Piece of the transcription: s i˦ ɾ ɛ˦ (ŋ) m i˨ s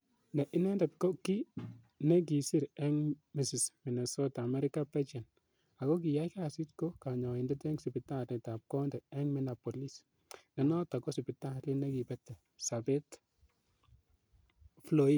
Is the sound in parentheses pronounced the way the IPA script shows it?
yes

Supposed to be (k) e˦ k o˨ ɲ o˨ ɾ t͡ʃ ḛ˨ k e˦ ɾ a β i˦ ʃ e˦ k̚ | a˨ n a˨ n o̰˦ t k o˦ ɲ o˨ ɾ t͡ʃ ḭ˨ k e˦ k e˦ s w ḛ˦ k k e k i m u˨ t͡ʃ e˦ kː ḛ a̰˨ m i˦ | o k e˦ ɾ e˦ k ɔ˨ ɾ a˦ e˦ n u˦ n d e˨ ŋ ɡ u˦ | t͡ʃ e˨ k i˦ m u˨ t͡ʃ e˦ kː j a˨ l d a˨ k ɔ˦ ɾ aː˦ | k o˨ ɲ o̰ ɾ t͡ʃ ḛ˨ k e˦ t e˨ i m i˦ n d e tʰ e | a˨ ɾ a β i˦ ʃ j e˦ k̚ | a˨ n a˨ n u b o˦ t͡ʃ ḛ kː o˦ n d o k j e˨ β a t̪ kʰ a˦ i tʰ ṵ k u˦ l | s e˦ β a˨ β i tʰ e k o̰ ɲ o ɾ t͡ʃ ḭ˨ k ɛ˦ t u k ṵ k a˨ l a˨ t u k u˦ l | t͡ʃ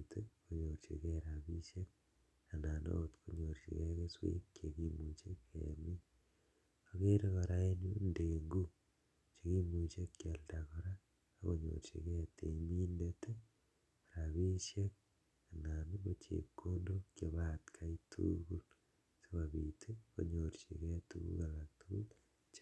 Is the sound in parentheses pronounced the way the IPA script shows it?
no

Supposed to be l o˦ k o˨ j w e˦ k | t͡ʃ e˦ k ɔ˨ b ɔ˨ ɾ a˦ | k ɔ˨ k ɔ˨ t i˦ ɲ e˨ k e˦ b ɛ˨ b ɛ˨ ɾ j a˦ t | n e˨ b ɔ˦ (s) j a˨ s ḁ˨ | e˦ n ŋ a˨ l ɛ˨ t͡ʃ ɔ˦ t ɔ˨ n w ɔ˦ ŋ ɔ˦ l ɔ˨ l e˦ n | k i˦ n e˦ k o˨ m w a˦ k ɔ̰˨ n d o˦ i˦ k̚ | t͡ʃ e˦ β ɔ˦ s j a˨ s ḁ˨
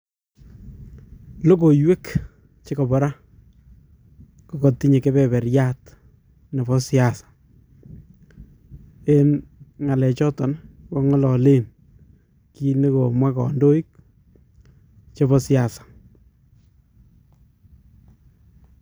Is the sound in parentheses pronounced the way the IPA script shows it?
yes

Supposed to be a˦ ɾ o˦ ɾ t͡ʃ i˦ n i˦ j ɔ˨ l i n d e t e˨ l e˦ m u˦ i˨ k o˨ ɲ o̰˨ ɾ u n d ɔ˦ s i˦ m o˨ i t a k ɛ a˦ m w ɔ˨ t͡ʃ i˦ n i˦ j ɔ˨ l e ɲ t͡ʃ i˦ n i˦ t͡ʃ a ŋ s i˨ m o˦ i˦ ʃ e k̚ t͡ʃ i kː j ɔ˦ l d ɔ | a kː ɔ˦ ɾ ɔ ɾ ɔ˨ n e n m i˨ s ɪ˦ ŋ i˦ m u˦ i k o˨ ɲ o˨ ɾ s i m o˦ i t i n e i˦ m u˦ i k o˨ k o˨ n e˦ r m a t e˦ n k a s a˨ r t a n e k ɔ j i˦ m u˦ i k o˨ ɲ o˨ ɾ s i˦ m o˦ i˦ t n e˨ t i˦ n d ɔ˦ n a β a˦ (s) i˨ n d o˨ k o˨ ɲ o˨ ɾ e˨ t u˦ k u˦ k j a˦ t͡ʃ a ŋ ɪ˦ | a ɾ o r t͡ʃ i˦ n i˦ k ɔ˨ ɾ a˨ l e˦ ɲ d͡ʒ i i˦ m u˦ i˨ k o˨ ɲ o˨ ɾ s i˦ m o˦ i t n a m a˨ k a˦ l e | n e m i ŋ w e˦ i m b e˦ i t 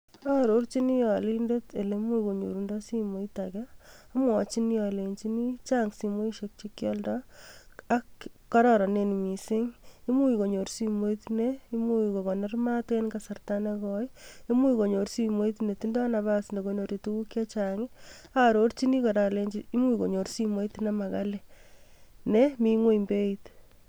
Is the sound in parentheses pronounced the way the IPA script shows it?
yes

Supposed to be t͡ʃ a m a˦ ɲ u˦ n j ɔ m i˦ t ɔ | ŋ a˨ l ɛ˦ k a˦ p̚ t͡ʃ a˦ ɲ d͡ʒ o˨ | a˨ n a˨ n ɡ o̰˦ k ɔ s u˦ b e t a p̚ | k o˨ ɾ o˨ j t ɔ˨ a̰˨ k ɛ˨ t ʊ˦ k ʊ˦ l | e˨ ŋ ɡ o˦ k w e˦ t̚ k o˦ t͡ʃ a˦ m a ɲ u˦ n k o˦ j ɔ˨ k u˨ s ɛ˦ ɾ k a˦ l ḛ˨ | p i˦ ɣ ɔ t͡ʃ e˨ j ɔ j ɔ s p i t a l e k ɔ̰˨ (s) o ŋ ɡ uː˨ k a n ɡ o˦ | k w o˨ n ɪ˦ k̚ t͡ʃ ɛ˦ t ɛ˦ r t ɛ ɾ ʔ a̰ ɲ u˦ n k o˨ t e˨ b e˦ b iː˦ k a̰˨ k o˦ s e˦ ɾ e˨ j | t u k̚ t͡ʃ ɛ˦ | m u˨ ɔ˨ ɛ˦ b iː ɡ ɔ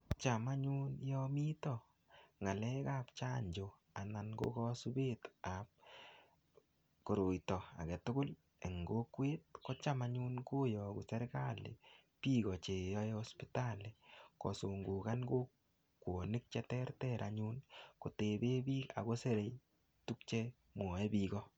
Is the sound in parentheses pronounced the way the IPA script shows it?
yes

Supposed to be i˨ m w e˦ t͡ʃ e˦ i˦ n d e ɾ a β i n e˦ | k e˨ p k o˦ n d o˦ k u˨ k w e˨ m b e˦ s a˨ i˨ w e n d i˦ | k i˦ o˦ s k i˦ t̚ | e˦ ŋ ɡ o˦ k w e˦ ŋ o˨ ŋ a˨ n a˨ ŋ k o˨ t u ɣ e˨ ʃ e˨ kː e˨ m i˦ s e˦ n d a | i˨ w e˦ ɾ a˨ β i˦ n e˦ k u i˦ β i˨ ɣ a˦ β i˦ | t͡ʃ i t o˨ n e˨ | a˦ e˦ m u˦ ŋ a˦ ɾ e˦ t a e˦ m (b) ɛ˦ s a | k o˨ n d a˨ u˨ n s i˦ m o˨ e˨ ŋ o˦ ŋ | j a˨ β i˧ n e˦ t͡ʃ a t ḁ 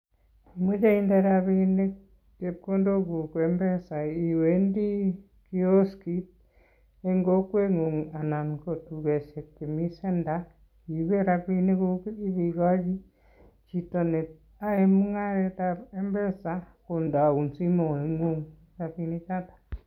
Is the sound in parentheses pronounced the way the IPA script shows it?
yes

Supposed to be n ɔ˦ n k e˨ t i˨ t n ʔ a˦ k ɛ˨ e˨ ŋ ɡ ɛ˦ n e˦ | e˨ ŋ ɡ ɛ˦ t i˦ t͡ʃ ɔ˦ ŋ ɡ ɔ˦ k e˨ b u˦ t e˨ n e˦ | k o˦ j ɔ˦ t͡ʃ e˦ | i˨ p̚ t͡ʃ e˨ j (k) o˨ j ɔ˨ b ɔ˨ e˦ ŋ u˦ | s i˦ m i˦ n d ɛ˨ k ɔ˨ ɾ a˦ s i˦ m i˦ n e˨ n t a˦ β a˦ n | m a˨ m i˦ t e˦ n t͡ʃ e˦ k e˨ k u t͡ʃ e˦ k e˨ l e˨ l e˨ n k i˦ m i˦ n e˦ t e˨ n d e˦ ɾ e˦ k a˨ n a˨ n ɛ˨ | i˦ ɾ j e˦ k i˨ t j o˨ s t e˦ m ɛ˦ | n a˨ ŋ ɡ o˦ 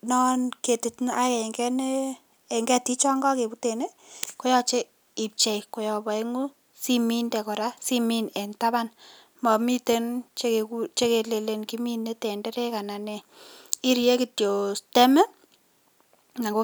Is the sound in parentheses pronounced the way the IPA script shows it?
yes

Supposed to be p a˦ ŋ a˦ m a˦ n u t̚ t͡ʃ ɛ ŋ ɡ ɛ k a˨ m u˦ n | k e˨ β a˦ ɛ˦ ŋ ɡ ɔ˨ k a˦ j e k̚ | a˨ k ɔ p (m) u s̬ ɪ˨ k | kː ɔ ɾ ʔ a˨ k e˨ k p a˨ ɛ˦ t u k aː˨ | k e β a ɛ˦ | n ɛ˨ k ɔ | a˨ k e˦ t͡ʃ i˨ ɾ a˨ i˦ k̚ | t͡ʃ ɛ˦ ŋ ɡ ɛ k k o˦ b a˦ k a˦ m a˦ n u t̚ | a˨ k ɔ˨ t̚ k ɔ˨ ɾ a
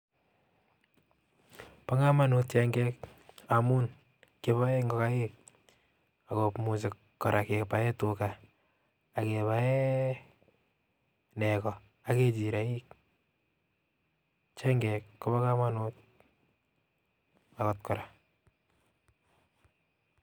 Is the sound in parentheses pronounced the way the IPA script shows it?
yes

